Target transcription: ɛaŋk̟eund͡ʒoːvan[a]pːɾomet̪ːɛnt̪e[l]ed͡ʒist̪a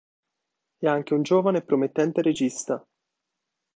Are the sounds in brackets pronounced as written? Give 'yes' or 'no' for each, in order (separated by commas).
no, no